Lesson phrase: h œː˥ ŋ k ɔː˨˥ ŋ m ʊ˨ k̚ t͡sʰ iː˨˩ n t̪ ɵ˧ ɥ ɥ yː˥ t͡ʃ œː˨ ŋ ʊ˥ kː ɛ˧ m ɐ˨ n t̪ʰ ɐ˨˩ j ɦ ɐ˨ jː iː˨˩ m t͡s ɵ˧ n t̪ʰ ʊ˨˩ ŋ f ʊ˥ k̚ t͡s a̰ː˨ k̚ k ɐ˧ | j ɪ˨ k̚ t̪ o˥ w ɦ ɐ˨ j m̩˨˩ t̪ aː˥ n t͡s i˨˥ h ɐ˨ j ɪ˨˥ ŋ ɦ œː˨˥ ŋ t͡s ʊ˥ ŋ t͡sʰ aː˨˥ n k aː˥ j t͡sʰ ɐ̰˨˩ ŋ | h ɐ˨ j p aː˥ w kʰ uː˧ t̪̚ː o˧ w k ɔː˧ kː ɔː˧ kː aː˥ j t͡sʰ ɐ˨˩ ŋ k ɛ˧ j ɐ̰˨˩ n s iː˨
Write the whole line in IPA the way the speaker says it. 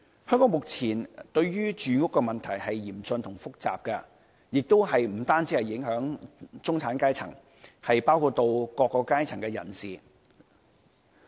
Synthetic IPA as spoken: h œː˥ ŋ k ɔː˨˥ ŋ m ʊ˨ k̚ t͡sʰ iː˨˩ n t̪ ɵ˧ ɥ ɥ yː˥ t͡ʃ yː˨ ŋ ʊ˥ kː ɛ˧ m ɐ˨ n t̪ʰ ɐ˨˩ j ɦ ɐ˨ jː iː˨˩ m t͡s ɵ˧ n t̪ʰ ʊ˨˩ ŋ f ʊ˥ k̚ t͡s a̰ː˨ p̚ k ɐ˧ | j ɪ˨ k̚ t̪ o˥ w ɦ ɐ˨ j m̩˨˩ t̪ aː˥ n t͡s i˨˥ h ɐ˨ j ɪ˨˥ ŋ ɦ œː˨˥ ŋ t͡s ʊ˥ ŋ t͡sʰ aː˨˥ n k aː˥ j t͡sʰ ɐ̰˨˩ ŋ | h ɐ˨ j p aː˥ w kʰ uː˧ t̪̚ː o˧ w k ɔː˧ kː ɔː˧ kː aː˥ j t͡sʰ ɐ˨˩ ŋ k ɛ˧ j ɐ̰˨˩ n s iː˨